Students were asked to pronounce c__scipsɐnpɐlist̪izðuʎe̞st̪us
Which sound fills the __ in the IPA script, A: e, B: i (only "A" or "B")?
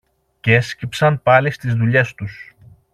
A